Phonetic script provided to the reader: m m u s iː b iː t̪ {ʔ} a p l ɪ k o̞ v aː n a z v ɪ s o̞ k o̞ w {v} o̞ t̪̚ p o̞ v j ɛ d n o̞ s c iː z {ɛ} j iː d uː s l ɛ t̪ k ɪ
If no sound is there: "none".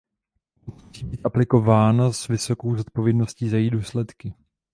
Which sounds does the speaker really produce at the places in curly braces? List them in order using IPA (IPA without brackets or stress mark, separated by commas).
ʔ, z, a